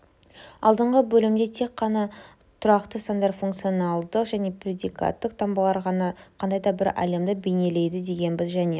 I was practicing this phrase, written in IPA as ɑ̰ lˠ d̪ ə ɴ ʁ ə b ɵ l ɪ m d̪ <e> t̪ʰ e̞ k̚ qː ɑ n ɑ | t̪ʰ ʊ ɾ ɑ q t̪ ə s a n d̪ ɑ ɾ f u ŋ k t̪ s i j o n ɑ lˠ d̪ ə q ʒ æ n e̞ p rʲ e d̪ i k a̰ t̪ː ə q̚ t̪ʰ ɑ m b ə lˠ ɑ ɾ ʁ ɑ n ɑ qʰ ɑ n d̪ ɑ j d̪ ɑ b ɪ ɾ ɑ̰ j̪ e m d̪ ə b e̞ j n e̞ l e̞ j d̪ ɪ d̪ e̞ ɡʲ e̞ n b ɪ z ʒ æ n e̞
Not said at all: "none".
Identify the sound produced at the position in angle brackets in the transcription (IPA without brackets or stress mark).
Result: e